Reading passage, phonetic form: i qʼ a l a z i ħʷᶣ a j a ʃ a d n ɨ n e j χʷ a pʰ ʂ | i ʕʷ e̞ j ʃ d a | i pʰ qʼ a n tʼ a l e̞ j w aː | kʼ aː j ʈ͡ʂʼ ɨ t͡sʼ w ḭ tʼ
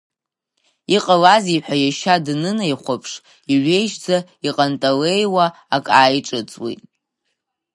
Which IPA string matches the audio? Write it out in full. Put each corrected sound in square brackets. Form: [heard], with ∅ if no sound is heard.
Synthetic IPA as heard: i qʼ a l a z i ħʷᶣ a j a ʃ a d n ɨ n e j χʷ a pʰ ʂ | i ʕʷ e̞ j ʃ [d͡z] a | i [∅] qʼ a n tʼ a l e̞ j w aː | kʼ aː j ʈ͡ʂʼ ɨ t͡sʼ w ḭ tʼ